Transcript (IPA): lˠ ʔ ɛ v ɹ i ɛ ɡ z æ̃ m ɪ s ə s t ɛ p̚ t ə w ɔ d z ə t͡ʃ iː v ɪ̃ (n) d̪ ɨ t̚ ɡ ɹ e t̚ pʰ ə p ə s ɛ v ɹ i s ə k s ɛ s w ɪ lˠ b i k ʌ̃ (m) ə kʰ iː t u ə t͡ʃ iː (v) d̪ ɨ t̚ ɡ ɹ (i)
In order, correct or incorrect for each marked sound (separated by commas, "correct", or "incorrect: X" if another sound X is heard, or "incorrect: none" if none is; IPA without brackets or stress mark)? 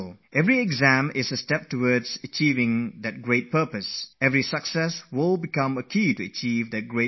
incorrect: ŋ, correct, correct, incorrect: e